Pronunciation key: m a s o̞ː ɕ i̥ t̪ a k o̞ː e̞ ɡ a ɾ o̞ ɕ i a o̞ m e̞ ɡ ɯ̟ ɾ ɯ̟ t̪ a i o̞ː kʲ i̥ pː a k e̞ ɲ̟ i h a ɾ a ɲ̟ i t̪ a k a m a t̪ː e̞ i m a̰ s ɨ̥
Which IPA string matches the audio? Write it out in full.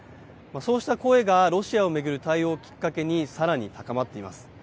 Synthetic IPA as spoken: m a s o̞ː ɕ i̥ t̪ a k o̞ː e̞ ɡ a ɾ o̞ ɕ i a o̞ m e̞ ɡ ɯ̟ ɾ ɯ̟ t̪ a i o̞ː kʲ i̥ kː a k e̞ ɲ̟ i s a ɾ a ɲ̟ i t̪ a k a m a t̪ː e̞ i m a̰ s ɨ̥